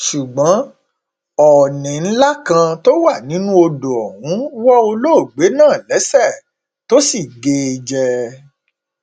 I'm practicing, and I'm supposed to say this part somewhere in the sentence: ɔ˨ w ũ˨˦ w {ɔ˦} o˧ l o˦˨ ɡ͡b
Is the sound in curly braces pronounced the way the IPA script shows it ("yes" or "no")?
yes